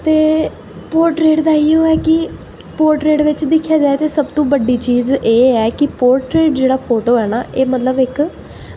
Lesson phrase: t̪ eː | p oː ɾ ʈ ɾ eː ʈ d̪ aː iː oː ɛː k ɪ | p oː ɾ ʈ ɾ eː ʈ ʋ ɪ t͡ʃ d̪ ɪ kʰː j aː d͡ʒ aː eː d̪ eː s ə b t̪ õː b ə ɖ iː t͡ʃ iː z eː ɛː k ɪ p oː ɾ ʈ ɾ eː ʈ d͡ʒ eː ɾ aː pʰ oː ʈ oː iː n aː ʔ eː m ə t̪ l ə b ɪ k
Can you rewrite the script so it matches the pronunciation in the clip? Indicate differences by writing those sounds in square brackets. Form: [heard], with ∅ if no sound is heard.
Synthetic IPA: t̪ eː | p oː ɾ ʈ ɾ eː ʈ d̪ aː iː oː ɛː k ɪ | p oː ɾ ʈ ɾ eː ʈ ʋ ɪ t͡ʃ d̪ ɪ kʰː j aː d͡ʒ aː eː [t̪] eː s ə b t̪ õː b ə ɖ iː t͡ʃ iː z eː ɛː k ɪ p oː ɾ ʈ ɾ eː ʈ d͡ʒ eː [ɽ] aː pʰ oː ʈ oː [ɛː] n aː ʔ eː m ə t̪ l ə b ɪ k

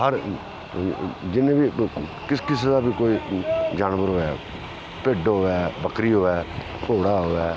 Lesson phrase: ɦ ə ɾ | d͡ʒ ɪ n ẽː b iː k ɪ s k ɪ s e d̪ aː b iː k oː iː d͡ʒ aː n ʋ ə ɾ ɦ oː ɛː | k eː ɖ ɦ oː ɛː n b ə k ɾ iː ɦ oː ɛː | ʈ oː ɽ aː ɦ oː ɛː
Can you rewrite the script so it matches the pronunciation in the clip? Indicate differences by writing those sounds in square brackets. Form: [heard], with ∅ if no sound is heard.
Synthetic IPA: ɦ ə ɾ | d͡ʒ ɪ n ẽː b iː k ɪ s k ɪ s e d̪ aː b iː k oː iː d͡ʒ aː n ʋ ə ɾ ɦ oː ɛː | [p] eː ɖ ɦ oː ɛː [∅] b ə k ɾ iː ɦ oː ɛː | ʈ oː ɽ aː ɦ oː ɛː

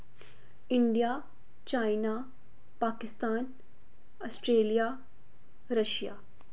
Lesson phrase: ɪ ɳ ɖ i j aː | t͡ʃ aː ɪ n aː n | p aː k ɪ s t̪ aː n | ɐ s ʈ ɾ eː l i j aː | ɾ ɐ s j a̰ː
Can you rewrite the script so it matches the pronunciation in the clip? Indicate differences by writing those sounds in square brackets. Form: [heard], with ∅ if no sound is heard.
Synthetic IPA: ɪ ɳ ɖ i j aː | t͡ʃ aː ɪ n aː [∅] | p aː k ɪ s t̪ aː n | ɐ s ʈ ɾ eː l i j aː | ɾ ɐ [ʃ] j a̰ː

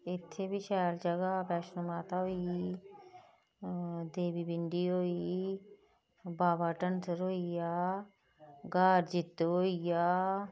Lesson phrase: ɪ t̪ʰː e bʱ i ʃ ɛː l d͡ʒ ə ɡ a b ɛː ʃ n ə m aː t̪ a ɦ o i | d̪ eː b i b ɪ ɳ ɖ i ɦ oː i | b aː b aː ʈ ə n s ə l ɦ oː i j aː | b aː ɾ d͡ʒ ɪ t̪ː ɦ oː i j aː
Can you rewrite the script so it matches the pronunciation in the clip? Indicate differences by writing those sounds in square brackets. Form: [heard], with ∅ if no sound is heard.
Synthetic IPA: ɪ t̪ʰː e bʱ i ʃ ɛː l d͡ʒ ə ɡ a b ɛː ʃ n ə m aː t̪ a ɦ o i | d̪ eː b i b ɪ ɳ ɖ i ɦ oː i | b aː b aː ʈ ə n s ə [ɾ] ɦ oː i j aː | [ɡ] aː ɾ d͡ʒ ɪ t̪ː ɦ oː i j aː

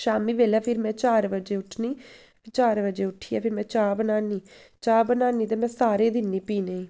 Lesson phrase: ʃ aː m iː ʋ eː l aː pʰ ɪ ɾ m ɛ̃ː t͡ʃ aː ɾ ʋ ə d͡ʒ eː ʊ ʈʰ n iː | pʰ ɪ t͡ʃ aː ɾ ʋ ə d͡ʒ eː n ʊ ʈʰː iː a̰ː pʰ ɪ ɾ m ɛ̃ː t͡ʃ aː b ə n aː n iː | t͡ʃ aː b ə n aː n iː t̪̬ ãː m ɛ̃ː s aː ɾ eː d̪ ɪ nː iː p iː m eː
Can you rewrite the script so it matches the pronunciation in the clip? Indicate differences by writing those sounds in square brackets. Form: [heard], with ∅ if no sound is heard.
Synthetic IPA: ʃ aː m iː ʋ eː l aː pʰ ɪ ɾ m ɛ̃ː t͡ʃ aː ɾ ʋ ə d͡ʒ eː ʊ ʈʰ n iː | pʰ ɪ t͡ʃ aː ɾ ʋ ə d͡ʒ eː [∅] ʊ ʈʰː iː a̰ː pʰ ɪ ɾ m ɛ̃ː t͡ʃ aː b ə n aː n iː | t͡ʃ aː b ə n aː n iː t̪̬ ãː m ɛ̃ː s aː ɾ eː d̪ ɪ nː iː p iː [n] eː

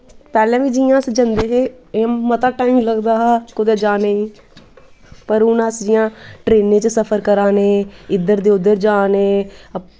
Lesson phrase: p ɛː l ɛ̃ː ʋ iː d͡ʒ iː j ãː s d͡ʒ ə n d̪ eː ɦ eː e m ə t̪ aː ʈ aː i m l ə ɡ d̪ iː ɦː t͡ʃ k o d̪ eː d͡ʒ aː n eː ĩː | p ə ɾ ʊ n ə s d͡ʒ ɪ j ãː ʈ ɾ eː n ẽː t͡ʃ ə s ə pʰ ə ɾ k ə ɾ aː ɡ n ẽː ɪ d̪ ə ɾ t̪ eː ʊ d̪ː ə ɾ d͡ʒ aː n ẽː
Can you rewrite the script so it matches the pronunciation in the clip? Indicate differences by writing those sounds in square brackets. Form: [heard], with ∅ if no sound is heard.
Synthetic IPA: p ɛː l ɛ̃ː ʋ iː d͡ʒ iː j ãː s d͡ʒ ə n d̪ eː ɦ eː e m ə t̪ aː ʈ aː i m l ə ɡ d̪ [aː] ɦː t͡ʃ k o d̪ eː d͡ʒ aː n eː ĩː | p ə ɾ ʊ n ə s d͡ʒ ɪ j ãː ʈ ɾ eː n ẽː t͡ʃ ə s ə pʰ ə ɾ k ə ɾ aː [∅] n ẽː ɪ d̪ ə ɾ [d̪] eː ʊ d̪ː ə ɾ d͡ʒ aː n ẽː

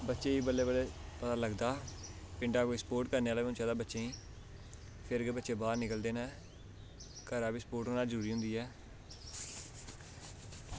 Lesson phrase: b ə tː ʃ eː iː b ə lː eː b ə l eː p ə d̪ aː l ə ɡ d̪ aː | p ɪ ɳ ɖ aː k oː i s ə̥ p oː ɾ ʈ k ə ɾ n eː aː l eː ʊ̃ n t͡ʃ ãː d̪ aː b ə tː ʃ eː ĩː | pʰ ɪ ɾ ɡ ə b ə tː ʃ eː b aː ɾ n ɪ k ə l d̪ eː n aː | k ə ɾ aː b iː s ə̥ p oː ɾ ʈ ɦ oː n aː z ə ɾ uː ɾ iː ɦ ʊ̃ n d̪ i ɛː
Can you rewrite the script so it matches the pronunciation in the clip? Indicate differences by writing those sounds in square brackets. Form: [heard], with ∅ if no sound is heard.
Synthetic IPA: b ə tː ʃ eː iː b ə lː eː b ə l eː p ə [t̪] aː l ə ɡ d̪ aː | p ɪ ɳ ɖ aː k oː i s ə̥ p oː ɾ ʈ k ə ɾ n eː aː l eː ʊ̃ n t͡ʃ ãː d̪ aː b ə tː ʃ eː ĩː | pʰ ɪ ɾ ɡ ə b ə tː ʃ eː b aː ɾ n ɪ k ə l d̪ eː n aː | k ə ɾ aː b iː s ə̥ p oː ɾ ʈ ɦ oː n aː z ə ɾ uː ɾ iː ɦ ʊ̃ n d̪ [iː] ɛː

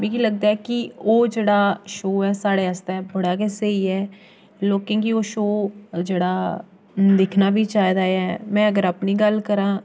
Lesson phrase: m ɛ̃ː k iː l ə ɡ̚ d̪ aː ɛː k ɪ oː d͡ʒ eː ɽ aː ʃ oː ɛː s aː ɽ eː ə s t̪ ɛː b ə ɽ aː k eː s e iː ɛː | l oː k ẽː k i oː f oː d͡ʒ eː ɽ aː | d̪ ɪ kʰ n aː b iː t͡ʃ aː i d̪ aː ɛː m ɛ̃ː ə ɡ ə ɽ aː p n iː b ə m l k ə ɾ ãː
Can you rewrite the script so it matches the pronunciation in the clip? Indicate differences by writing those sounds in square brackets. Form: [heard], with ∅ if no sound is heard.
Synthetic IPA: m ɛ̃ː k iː l ə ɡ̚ d̪ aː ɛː k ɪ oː d͡ʒ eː ɽ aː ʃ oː ɛː s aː ɽ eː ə s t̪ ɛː b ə ɽ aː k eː s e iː ɛː | l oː k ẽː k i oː [ʃ] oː d͡ʒ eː ɽ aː | d̪ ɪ kʰ n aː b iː t͡ʃ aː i d̪ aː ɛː m ɛ̃ː ə ɡ ə [ɾ] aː p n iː [ɡ] ə [∅] l k ə ɾ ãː

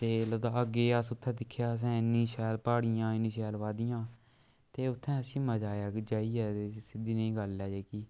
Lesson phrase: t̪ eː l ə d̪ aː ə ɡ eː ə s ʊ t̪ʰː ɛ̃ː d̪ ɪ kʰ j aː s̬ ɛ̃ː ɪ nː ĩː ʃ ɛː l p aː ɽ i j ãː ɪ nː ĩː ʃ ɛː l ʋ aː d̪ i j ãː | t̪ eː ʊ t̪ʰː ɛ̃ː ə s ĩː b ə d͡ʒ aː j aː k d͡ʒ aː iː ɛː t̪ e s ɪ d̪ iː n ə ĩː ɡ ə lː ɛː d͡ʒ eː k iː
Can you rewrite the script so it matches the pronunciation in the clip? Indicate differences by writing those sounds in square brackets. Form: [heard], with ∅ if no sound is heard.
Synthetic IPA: t̪ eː l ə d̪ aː ə ɡ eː ə s ʊ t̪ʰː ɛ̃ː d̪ ɪ kʰ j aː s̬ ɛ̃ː ɪ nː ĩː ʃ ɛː l p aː ɽ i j ãː ɪ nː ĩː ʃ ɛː l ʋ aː d̪ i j ãː | t̪ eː ʊ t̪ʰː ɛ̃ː ə s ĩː [m] ə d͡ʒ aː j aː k d͡ʒ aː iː ɛː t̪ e s ɪ d̪ iː n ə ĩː ɡ ə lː ɛː d͡ʒ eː k iː

